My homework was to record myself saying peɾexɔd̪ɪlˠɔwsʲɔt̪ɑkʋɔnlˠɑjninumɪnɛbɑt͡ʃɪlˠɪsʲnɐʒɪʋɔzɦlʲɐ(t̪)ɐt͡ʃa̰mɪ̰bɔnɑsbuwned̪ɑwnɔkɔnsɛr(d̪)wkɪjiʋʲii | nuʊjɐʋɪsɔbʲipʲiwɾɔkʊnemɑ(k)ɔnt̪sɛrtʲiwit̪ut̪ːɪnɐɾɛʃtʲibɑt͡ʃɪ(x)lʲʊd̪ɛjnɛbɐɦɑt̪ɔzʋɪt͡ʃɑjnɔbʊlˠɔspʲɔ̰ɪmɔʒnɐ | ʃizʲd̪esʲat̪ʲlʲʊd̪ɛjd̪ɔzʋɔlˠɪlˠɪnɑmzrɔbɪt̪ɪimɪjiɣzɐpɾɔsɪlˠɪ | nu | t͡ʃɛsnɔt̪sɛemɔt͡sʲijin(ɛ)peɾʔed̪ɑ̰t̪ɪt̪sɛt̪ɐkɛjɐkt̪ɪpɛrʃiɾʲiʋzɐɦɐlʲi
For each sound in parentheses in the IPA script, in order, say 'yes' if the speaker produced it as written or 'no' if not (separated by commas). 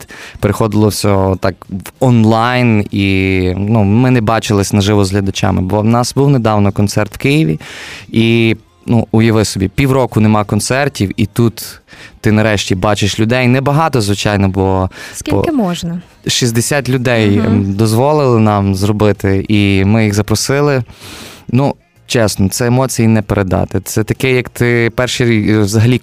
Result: no, no, yes, no, yes